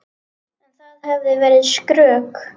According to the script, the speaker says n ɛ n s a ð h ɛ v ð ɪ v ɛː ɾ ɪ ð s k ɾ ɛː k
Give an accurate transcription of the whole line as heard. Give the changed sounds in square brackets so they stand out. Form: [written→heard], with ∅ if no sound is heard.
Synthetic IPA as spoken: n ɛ n [s→θ] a ð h ɛ v ð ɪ v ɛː ɾ ɪ ð s k ɾ [ɛː→œː] k